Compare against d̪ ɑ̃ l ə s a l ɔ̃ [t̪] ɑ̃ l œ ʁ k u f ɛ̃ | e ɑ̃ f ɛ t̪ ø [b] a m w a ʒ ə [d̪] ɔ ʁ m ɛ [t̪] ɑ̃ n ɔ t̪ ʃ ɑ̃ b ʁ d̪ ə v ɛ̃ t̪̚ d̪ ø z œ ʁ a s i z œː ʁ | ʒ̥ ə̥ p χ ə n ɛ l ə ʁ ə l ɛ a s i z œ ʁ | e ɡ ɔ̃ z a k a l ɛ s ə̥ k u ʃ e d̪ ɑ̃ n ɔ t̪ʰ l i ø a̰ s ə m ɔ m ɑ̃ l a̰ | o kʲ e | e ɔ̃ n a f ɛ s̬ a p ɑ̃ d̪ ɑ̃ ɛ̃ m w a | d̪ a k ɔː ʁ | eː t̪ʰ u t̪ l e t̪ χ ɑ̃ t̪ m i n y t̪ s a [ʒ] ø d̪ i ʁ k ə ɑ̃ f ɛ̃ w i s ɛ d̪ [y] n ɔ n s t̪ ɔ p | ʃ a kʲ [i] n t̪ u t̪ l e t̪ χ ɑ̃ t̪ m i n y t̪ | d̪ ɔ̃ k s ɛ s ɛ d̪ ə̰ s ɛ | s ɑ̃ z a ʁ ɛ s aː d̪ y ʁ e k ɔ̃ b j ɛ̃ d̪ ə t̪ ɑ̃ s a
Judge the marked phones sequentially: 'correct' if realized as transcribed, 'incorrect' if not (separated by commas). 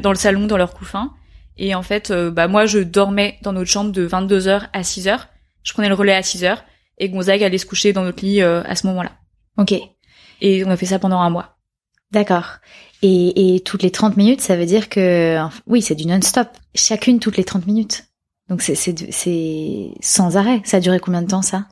incorrect, correct, correct, incorrect, incorrect, correct, incorrect